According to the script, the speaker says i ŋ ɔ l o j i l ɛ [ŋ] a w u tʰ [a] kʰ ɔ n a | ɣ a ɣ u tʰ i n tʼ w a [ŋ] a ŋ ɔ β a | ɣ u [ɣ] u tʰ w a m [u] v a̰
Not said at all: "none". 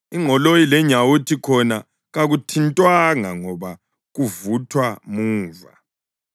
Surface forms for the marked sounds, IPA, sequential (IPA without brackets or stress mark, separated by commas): ɲ, i, ŋ, v, uː